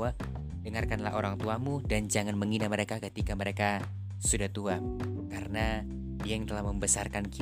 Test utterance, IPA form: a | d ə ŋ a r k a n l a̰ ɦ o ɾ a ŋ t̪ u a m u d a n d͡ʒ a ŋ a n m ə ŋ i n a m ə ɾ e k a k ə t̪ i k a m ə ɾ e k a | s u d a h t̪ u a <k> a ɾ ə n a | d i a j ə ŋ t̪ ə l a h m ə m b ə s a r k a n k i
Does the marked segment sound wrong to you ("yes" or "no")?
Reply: no